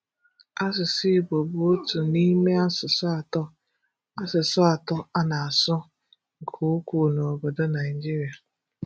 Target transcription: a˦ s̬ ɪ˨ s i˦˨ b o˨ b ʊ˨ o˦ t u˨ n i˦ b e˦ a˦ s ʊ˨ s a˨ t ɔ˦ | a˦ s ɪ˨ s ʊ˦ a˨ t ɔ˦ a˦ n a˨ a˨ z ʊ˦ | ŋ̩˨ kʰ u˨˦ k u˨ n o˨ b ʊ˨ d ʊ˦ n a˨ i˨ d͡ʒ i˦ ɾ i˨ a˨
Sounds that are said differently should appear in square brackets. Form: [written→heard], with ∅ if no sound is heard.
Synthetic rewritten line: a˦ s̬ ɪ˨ s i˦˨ b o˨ b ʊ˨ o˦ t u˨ n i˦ [b→m] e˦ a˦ s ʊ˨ s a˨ t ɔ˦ | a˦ s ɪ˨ s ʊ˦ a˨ t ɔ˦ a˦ n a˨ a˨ [z→s] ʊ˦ | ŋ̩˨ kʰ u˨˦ k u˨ n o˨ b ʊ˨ d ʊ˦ n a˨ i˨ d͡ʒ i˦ ɾ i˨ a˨